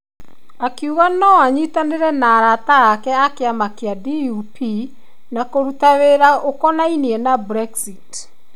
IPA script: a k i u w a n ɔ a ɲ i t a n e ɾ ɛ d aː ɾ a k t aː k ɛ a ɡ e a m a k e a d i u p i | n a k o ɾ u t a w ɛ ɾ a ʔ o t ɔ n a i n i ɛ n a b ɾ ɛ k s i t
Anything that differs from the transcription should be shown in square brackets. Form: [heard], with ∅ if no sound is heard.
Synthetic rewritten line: a k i u [ɣ] a n ɔ a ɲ i t a n e ɾ ɛ [n] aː ɾ a [∅] t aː k ɛ a [k] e a m a k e a d i u p i | n a k o ɾ u t a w [e] ɾ a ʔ o [k] ɔ n a i n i ɛ n a b ɾ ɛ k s i t